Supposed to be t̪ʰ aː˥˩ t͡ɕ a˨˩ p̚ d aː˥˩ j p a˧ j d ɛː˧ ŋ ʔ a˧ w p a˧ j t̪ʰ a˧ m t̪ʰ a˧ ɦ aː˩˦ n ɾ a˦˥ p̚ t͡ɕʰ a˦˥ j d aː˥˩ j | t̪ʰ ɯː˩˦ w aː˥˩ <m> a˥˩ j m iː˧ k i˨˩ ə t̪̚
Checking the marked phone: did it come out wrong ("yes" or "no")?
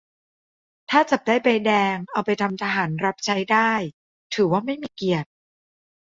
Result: no